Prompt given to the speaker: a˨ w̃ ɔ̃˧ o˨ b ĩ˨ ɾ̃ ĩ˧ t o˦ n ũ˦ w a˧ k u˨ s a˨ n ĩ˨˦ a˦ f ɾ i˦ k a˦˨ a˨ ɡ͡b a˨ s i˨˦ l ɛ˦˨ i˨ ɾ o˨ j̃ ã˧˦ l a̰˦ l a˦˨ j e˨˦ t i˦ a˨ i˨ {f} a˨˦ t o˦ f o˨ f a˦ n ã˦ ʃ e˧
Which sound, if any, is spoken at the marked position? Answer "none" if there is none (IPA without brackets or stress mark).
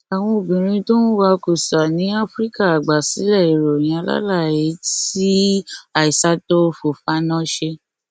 s